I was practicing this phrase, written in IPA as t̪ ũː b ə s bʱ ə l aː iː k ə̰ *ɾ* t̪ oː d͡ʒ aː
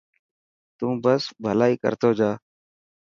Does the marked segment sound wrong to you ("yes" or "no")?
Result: no